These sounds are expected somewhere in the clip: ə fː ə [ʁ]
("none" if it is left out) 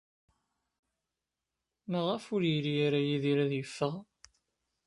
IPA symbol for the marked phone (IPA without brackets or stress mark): ʁ